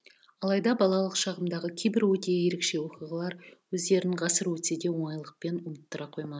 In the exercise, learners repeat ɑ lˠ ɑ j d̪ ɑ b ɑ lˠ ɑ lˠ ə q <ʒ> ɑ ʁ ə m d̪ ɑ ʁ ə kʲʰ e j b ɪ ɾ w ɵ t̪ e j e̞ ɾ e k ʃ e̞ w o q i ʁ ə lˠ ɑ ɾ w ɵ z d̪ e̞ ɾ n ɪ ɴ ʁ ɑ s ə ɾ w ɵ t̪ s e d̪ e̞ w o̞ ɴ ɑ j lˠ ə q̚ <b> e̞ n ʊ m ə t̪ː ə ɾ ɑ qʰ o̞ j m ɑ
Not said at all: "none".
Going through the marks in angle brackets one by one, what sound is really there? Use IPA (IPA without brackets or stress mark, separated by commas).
ʃ, p